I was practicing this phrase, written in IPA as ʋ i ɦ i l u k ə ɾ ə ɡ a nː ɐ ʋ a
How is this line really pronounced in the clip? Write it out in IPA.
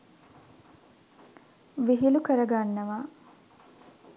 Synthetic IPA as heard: ʋ i ɦ i l u k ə ɾ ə ɡ a nː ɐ ʋ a